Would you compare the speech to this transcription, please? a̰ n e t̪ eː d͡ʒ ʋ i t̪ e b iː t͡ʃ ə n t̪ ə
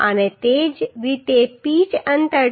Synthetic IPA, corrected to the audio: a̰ n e t̪ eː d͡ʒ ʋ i t̪ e p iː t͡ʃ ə n t̪ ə